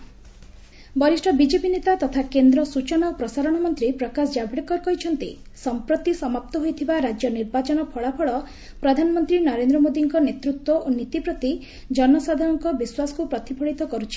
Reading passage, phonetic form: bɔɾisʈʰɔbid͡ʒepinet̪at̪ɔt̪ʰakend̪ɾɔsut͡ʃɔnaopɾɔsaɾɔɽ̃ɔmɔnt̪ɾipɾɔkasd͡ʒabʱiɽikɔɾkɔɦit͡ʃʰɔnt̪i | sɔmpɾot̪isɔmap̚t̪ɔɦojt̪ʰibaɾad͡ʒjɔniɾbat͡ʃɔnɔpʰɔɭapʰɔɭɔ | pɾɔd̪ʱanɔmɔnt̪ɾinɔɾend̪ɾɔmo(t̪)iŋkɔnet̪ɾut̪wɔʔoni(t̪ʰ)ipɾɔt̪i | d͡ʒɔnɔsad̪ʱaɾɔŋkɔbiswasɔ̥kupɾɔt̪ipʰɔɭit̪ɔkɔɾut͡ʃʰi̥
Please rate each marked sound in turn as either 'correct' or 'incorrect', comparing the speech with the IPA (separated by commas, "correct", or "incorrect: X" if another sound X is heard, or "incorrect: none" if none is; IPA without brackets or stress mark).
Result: incorrect: d̪, incorrect: t̪